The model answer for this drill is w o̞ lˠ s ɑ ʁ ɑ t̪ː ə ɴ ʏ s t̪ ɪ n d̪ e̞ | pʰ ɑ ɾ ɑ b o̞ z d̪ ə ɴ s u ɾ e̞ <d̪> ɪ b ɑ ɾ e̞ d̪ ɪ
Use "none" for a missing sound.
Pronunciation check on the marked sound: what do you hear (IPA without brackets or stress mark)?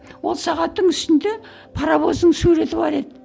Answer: t̪